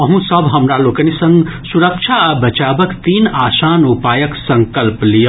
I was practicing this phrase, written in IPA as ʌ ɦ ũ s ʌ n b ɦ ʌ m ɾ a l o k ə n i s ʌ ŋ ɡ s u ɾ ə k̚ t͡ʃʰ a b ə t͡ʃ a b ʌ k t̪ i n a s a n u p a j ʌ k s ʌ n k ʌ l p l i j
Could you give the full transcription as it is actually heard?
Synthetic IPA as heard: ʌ ɦ ũ s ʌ b ɦ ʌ m ɾ a l o k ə n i s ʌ ŋ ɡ s u ɾ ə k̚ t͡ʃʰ a b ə t͡ʃ a b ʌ k t̪ i n a s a n u p a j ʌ k s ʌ ŋ k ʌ l p l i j

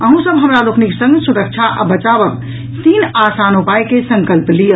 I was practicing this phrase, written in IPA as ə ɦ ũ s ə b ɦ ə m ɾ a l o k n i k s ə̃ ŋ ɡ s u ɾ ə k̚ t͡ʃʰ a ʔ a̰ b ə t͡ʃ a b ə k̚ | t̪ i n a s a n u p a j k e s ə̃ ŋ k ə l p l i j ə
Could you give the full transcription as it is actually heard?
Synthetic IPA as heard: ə ɦ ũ s ə b ɦ ə m ɾ a l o k n i k s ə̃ ŋ ɡ s u ɾ ə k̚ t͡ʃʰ a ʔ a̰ b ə t͡ʃ a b ə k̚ | t̪ i n a s a n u p a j k e s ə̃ ŋ k ə l p l i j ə

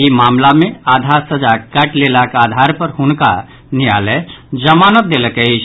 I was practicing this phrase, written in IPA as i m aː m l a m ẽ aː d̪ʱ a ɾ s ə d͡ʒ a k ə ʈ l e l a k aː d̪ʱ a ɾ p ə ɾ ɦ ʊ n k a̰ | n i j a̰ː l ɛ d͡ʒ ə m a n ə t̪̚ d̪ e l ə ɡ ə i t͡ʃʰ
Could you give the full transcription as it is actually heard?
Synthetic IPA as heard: i m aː m l a m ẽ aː d̪ʱ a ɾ s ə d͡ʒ a k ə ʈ l e l a k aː d̪ʱ a ɾ p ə ɾ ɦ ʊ n k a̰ | n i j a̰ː l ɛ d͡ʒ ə m a n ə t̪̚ d̪ e l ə k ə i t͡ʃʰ

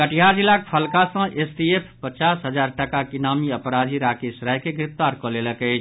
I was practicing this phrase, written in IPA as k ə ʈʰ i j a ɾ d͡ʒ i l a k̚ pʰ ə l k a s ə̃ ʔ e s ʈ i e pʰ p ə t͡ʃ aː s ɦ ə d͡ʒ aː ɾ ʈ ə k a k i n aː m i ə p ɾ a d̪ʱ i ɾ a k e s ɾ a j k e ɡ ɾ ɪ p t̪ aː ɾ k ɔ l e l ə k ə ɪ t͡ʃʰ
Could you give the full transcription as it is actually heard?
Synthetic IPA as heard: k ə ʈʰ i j a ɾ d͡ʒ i l a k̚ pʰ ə l k a s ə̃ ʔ e s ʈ i e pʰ p ə t͡ʃ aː s ɦ ə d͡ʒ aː ɾ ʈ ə k a k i n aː m i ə p ɾ a d̪ʱ i ɾ a k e s ɾ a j k e ɡ ɾ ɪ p t̪ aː ɾ k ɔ l e l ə k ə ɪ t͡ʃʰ

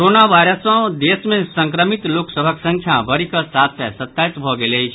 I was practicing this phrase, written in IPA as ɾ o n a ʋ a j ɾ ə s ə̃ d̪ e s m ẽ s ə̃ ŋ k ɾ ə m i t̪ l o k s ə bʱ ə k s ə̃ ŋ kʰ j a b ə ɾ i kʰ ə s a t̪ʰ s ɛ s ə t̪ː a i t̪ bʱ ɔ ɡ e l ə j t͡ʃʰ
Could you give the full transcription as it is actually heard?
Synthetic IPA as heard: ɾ o n a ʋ a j ɾ ə s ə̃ d̪ e s m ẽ s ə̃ ŋ k ɾ ə m i t̪ l o k s ə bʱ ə k s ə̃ ŋ kʰ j a b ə ɾ i k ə s a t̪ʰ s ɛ s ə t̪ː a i t̪ bʱ ɔ ɡ e l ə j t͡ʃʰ

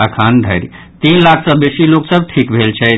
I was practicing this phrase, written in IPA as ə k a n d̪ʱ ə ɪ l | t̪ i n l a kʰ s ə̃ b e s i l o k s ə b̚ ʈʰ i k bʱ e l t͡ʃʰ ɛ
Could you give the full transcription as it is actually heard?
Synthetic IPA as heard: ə kʰ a n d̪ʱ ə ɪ ɾ | t̪ i n l a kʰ s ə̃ b e s i l o k s ə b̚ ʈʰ i k bʱ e l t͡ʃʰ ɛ

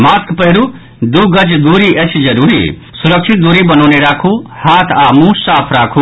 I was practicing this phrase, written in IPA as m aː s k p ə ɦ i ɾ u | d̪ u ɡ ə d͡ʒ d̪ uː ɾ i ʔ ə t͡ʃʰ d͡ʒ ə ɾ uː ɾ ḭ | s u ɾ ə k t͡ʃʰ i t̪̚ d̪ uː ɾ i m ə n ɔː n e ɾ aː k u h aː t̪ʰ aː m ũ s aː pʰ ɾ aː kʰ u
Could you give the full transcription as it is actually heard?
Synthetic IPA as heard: m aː s k p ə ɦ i ɾ u | d̪ u ɡ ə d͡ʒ d̪ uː ɾ i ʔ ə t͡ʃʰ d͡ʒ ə ɾ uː ɾ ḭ | s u ɾ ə k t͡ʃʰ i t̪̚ d̪ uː ɾ i b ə n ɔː n e ɾ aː kʰ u h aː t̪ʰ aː m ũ s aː pʰ ɾ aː kʰ u

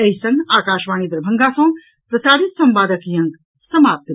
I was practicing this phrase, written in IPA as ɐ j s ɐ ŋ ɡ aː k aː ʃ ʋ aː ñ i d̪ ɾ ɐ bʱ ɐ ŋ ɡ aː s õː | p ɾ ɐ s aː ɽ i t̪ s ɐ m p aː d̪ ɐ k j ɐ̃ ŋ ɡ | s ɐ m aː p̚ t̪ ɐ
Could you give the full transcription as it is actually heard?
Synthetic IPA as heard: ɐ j s ɐ ŋ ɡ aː k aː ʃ ʋ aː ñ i d̪ ɾ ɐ bʱ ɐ ŋ ɡ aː s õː | p ɾ ɐ s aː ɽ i t̪ s ɐ m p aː d̪ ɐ k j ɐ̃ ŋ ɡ | s ɐ m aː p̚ t̪ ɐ

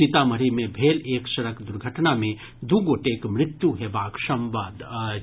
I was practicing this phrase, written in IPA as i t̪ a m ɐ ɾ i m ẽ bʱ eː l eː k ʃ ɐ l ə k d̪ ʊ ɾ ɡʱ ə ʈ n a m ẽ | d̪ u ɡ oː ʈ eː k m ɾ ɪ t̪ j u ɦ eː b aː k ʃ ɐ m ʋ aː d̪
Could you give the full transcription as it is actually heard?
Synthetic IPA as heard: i t̪ a m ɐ ɾ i m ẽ bʱ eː l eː k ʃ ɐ ɾ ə k d̪ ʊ ɾ ɡʱ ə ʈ n a m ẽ | d̪ u ɡ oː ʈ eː k m ɾ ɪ t̪ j u ɦ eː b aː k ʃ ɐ m ʋ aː d̪

